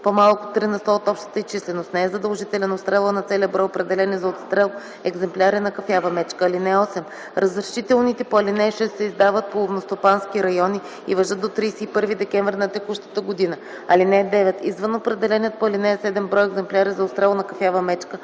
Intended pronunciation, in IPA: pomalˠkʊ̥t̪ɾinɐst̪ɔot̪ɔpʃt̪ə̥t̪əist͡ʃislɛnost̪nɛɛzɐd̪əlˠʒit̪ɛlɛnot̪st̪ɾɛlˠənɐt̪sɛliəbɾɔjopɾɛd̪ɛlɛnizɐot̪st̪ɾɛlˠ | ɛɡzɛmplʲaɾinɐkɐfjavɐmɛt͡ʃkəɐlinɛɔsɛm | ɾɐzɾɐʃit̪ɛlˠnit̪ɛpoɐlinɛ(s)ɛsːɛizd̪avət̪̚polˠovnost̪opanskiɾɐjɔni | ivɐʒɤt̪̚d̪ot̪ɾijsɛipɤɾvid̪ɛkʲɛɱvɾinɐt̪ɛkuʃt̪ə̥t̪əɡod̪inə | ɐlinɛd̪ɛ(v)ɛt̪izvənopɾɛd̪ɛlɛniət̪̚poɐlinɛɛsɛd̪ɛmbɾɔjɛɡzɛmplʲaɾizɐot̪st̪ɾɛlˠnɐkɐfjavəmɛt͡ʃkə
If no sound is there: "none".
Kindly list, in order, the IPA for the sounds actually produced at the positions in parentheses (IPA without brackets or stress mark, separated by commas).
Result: ʃ, v